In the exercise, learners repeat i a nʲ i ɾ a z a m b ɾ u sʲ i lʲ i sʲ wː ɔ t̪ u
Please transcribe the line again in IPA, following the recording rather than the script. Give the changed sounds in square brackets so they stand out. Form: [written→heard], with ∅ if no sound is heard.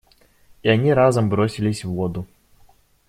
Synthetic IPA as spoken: i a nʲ i ɾ a z [a→ɐ] m b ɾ [u→ɔ] sʲ i lʲ i sʲ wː ɔ [t̪→d̪] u

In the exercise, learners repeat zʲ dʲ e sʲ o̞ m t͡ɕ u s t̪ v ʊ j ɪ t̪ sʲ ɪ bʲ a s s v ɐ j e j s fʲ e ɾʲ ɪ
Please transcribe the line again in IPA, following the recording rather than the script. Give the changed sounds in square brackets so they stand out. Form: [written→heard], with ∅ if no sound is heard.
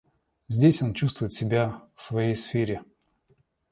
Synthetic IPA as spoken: zʲ dʲ e sʲ o̞ [m→n] t͡ɕ u s t̪ v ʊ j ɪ t̪ sʲ ɪ bʲ a [s→f] s v ɐ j e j s fʲ e ɾʲ ɪ

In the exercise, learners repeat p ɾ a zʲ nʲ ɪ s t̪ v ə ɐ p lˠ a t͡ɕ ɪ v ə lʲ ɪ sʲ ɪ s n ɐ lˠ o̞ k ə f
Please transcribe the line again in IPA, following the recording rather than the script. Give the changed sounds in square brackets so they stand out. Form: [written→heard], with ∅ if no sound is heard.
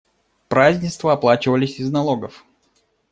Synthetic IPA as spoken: p ɾ a zʲ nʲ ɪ s t̪ v ə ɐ p lˠ a t͡ɕ ɪ v ə lʲ ɪ sʲ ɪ [s→z] n ɐ lˠ o̞ [k→ɡ] ə f

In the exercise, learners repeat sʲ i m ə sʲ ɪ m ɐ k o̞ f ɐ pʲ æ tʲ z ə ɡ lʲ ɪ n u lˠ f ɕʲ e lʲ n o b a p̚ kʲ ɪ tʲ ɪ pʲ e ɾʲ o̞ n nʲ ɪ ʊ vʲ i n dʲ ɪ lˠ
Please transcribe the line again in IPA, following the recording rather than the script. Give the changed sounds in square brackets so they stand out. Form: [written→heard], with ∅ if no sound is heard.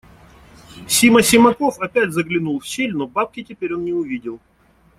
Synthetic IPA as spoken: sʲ i m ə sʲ ɪ m ɐ k o̞ f ɐ pʲ æ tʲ z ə ɡ lʲ ɪ n u lˠ f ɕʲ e lʲ n o b a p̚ kʲ ɪ tʲ ɪ pʲ e ɾʲ o̞ n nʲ ɪ ʊ vʲ i [n→∅] dʲ ɪ lˠ

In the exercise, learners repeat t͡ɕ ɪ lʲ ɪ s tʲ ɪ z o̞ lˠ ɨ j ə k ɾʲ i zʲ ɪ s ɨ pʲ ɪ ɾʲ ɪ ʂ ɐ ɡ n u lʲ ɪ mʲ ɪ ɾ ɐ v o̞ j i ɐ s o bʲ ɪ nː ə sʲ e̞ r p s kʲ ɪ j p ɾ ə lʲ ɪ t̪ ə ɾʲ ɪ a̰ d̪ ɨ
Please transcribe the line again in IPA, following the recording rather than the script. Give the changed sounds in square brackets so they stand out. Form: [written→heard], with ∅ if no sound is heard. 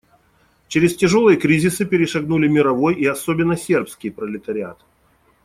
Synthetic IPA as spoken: t͡ɕ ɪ [lʲ→ɾʲ] ɪ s tʲ ɪ [z→ʐ] o̞ lˠ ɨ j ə k ɾʲ i zʲ ɪ s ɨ pʲ ɪ ɾʲ ɪ ʂ ɐ ɡ n u lʲ ɪ mʲ ɪ ɾ ɐ v o̞ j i ɐ s o bʲ ɪ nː ə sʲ e̞ r p s kʲ ɪ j p ɾ ə lʲ ɪ t̪ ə ɾʲ ɪ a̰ [d̪→t̪] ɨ

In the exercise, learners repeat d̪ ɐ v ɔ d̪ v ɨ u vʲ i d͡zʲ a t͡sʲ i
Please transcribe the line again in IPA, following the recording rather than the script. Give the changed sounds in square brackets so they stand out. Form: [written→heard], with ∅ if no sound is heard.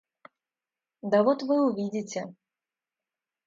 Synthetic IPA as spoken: d̪ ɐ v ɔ [d̪→t̪] v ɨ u vʲ i d͡zʲ [a→i] t͡sʲ [i→ɛ]

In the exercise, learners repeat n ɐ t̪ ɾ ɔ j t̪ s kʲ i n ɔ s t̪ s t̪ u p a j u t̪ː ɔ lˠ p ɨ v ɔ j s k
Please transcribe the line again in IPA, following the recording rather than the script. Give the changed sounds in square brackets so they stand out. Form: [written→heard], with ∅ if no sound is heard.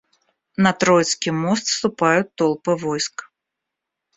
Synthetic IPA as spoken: n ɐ t̪ ɾ ɔ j t̪ s kʲ i [n→m] ɔ s t̪ s t̪ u p a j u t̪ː ɔ lˠ p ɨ v ɔ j s k

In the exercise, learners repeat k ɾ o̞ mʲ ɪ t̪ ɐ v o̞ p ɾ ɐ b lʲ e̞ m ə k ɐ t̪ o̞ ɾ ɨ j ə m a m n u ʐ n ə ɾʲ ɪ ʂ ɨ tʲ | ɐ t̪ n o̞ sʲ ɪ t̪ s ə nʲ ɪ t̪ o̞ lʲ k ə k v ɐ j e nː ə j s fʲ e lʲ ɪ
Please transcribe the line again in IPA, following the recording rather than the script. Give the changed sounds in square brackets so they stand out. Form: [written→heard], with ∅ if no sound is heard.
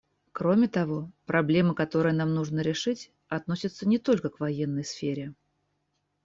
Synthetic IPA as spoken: k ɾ o̞ mʲ ɪ t̪ ɐ v o̞ p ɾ ɐ b lʲ e̞ m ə k ɐ t̪ o̞ ɾ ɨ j ə [m→n] a m n u ʐ n ə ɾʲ ɪ ʂ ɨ tʲ | ɐ t̪ n o̞ sʲ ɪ t̪ s ə nʲ ɪ t̪ o̞ lʲ k ə k v ɐ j e nː ə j s fʲ e [lʲ→ɾʲ] ɪ

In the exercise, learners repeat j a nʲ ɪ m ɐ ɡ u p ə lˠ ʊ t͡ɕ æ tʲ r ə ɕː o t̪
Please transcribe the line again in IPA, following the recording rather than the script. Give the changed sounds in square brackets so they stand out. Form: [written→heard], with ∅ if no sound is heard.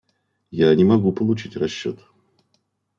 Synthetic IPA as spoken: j a nʲ ɪ m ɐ ɡ u p ə lˠ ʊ t͡ɕ [æ→i] tʲ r [ə→ɐ] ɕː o t̪

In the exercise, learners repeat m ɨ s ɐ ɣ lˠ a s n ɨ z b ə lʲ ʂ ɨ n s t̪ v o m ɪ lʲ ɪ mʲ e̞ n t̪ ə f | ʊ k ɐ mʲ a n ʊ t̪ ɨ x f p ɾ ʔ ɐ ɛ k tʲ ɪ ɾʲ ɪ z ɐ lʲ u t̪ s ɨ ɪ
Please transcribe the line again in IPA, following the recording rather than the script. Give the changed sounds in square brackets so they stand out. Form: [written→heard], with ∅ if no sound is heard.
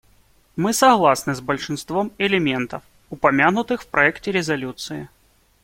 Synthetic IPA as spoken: m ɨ s ɐ ɣ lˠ a s n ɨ z b ə lʲ ʂ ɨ n s t̪ v o m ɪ lʲ ɪ mʲ e̞ n t̪ ə f | ʊ [k→p] ɐ mʲ a n ʊ t̪ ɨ x f p ɾ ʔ ɐ ɛ k tʲ ɪ ɾʲ ɪ z ɐ lʲ u t̪ s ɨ ɪ

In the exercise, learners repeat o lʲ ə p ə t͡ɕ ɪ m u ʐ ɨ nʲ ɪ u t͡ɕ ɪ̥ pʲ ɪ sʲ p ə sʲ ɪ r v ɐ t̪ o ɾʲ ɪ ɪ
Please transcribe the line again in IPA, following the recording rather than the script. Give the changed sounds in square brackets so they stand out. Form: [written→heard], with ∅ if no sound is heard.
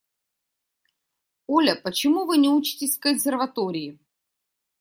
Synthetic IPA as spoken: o lʲ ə p ə t͡ɕ ɪ m u [ʐ→v] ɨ nʲ ɪ u t͡ɕ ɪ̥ [pʲ→tʲ] ɪ sʲ [p→k] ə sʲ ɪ r v ɐ t̪ o ɾʲ ɪ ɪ

